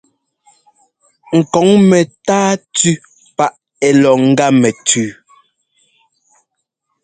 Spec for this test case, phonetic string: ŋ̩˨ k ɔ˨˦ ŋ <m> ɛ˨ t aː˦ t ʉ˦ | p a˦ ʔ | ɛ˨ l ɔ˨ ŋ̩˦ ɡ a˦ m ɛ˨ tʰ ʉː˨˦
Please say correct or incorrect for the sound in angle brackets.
correct